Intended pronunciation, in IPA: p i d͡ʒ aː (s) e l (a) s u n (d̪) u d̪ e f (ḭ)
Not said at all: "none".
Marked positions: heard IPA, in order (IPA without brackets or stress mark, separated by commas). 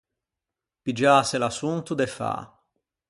s, a, t̪, a̰